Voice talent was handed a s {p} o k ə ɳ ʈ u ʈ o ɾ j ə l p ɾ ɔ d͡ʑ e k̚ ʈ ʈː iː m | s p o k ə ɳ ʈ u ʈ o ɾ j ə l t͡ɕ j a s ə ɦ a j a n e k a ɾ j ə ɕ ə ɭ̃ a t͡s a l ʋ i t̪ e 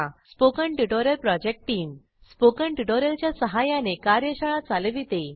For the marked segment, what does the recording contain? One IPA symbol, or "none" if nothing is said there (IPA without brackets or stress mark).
p